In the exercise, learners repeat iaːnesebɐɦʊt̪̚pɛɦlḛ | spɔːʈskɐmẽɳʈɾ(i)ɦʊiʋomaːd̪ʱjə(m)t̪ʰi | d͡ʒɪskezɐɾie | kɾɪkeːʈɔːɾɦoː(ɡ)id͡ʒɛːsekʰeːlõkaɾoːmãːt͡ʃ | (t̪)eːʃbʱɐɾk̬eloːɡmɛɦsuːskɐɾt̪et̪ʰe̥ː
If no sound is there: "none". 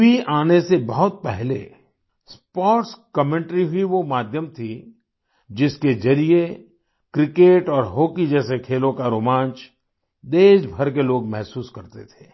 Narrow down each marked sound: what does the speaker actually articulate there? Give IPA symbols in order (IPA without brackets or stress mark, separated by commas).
i, m, k, d̪